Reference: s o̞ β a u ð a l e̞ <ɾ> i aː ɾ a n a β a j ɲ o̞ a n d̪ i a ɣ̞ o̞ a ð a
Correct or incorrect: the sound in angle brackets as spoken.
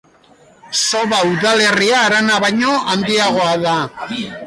incorrect: r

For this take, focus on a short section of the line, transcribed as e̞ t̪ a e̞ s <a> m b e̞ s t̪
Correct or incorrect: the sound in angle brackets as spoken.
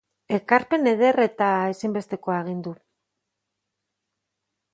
incorrect: i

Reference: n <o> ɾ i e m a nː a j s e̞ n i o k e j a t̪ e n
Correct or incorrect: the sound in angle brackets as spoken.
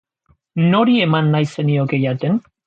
correct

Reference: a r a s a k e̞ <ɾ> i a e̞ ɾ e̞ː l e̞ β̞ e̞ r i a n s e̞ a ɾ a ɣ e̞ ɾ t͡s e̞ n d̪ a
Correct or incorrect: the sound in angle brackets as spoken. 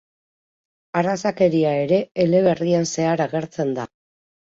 correct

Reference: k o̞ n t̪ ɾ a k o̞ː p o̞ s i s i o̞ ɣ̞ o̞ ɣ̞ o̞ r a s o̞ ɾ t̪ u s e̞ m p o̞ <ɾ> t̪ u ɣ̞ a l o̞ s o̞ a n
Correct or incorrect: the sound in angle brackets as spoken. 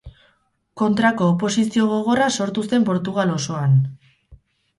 correct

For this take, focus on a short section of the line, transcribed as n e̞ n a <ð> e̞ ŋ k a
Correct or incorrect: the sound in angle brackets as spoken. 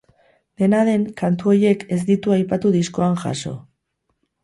correct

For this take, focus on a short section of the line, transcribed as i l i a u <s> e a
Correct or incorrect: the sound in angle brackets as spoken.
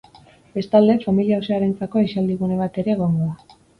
correct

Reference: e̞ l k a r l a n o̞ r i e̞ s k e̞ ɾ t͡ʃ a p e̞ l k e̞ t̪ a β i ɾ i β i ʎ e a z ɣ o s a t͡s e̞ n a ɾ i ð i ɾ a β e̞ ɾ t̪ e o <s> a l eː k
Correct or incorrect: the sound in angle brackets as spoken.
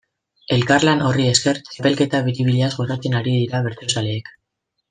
correct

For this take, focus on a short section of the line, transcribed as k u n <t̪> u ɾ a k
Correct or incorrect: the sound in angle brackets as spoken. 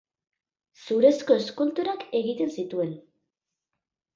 correct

